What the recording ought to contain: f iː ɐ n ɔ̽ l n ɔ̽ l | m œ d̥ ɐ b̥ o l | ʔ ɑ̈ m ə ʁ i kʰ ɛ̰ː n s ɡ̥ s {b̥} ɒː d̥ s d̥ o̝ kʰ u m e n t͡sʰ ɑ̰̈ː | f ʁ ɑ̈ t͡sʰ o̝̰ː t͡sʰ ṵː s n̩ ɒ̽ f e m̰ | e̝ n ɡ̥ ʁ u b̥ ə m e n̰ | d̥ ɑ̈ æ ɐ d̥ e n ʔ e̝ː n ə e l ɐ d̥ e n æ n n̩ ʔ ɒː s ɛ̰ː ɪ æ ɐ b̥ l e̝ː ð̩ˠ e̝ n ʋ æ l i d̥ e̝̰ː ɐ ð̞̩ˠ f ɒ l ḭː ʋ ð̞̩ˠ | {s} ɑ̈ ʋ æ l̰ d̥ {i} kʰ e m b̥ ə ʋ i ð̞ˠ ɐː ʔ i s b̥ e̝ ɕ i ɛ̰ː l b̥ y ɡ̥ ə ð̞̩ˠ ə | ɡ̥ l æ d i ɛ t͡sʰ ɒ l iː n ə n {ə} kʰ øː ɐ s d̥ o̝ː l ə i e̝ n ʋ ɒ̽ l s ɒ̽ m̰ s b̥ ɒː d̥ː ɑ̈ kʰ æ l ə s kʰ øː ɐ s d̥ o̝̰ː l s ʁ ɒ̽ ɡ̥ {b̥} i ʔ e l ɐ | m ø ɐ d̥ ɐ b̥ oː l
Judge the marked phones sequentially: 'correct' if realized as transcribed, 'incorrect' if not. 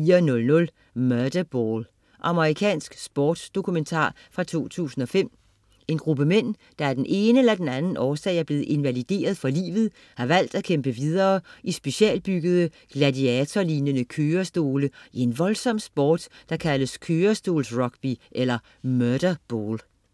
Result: correct, incorrect, incorrect, correct, correct

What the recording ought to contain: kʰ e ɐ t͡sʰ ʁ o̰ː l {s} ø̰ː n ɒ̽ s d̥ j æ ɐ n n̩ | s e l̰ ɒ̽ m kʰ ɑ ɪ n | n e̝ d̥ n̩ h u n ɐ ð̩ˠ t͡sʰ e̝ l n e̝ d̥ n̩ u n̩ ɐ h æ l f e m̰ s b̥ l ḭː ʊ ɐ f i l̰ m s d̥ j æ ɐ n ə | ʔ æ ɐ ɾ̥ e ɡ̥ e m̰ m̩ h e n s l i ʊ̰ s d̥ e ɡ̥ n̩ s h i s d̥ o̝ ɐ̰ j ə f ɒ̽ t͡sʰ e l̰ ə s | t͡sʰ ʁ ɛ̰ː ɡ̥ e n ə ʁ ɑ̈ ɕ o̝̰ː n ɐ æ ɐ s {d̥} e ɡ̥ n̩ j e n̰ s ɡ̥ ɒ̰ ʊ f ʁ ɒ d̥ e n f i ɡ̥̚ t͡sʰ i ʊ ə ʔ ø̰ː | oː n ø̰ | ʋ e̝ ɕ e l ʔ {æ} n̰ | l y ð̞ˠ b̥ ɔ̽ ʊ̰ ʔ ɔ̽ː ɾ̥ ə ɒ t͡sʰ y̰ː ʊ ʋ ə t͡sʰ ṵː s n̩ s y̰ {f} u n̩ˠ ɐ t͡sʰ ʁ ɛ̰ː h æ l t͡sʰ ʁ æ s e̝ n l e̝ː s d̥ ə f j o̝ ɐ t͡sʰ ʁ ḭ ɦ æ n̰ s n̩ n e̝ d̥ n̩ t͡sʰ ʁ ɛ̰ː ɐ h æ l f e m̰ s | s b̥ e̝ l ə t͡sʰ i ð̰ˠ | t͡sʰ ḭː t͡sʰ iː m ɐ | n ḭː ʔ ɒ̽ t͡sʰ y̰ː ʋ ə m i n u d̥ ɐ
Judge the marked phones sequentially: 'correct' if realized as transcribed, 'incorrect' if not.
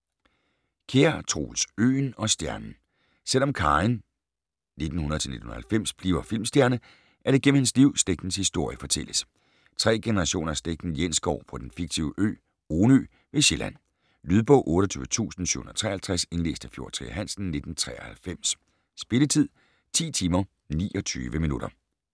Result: correct, correct, correct, incorrect

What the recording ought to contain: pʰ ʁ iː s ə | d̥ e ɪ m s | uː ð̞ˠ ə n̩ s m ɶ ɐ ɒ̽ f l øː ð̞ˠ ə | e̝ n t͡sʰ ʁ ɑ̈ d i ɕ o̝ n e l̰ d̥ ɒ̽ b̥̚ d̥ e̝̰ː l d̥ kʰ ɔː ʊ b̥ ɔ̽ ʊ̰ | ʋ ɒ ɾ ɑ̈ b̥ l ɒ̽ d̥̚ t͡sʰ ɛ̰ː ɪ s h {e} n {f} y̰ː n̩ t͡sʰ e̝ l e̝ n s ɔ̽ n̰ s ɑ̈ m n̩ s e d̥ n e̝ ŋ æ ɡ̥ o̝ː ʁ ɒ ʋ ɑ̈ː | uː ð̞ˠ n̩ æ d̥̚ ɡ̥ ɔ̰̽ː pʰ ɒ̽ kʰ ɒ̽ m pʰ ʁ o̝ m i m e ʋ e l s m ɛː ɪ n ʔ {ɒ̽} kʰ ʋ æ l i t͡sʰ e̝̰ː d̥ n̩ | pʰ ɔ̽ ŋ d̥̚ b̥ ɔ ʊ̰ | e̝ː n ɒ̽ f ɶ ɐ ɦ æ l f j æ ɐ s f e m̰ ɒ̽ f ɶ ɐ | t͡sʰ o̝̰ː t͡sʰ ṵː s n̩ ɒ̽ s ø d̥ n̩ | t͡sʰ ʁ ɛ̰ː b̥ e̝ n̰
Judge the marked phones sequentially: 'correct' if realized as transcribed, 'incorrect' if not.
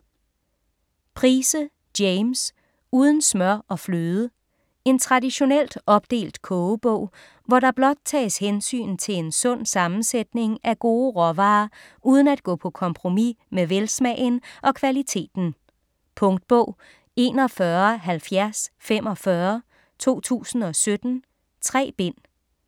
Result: correct, incorrect, correct

